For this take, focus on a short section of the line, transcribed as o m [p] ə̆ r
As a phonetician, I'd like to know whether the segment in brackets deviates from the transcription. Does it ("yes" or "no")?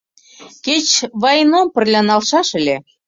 no